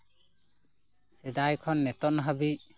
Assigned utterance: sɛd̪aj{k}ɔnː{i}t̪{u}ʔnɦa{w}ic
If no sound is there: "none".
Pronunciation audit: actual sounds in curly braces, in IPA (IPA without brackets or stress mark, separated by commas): kʰ, ɛ, ɔ, b